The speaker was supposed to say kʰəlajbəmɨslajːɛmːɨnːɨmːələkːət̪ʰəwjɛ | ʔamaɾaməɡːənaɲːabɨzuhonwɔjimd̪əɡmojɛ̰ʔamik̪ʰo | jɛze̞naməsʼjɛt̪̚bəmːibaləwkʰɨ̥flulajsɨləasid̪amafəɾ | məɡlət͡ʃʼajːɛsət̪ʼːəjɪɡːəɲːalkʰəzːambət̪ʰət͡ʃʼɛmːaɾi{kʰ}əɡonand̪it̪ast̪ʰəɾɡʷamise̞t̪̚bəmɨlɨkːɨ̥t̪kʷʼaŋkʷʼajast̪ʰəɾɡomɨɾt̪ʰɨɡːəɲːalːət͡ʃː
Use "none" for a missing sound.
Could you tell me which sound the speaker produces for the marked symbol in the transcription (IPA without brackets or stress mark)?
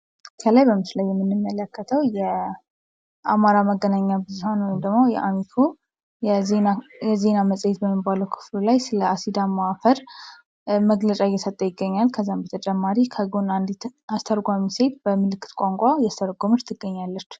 kʰ